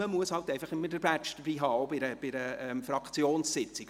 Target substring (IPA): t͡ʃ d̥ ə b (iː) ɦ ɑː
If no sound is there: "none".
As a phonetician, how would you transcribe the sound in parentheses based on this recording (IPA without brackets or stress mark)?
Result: iː